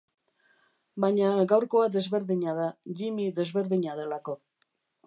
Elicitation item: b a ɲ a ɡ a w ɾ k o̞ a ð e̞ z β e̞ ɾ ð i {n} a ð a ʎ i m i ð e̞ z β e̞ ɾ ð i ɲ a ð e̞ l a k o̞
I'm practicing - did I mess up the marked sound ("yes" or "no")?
yes